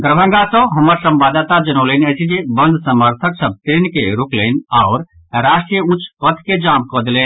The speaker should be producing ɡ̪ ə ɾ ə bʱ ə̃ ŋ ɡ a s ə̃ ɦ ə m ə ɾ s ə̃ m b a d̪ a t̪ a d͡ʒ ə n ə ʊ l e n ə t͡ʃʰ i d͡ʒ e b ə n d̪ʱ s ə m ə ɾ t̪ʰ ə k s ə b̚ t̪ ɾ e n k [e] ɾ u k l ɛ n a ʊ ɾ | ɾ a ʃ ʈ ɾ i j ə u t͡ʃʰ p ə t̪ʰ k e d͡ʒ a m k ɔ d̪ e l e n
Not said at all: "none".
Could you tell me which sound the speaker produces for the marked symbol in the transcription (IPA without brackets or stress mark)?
e